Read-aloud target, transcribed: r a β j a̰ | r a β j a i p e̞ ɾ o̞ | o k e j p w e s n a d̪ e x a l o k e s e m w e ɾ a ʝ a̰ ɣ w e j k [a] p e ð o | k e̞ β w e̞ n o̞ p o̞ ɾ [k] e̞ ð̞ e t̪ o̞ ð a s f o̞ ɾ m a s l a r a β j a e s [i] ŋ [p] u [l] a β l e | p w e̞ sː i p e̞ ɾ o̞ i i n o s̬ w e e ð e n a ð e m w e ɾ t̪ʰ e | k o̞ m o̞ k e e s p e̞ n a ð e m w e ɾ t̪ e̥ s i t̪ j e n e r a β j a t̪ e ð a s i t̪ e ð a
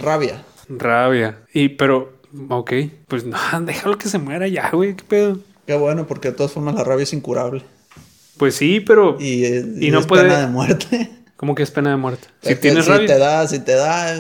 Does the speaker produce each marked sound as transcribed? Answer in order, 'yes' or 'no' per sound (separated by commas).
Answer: no, yes, yes, no, no